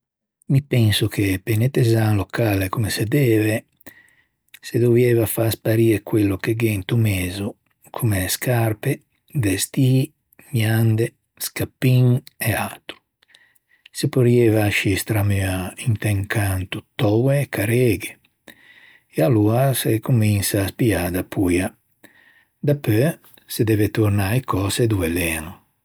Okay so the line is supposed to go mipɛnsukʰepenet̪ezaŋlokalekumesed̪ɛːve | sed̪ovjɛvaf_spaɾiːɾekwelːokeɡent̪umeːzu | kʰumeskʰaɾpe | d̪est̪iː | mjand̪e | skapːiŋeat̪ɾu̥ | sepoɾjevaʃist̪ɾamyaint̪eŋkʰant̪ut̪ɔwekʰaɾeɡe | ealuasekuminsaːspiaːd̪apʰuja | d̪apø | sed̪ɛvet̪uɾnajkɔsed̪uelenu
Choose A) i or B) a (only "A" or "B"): B